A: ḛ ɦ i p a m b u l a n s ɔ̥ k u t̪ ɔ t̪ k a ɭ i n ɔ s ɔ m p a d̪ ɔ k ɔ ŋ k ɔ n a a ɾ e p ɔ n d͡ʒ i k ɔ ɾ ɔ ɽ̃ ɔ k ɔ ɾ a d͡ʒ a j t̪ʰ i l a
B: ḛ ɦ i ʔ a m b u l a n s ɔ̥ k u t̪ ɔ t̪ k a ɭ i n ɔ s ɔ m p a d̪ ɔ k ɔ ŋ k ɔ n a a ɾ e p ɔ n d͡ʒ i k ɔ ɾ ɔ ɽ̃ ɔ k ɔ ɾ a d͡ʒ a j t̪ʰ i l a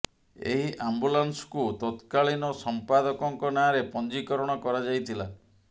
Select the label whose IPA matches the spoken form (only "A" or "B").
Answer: B